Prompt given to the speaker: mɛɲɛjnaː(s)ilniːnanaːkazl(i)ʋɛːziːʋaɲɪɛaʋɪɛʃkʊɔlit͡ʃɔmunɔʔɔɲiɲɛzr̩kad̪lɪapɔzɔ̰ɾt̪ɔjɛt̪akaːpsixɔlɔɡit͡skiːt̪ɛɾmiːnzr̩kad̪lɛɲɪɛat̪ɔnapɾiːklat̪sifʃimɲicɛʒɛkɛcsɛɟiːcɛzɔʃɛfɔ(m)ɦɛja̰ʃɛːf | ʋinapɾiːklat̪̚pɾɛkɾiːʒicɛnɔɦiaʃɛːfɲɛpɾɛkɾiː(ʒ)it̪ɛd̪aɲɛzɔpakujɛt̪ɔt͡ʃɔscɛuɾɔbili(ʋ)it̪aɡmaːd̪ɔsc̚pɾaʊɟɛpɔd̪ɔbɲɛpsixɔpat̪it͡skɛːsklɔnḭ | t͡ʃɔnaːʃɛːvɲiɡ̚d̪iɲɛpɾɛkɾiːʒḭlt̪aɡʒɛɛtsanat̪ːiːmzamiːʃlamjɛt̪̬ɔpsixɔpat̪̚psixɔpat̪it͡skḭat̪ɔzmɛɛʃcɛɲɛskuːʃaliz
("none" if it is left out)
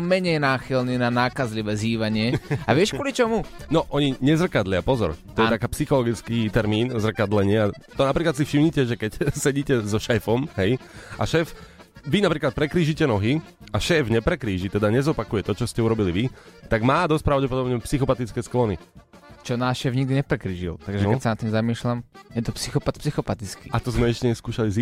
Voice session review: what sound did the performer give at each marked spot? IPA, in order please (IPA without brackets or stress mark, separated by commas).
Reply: x, i, m, ʒ, ʋ